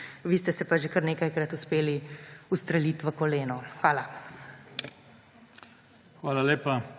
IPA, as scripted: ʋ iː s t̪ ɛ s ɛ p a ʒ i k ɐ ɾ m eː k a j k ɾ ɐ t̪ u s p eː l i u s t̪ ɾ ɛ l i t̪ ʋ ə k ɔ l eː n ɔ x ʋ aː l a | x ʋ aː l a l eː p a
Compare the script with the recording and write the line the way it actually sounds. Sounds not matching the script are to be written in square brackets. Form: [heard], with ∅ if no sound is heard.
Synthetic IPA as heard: ʋ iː s t̪ ɛ s ɛ p a ʒ [e] k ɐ ɾ [n] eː k a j k ɾ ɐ t̪ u s p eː l i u s t̪ ɾ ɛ l i t̪ ʋ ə k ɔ l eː n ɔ x ʋ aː l a | x ʋ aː l a l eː p a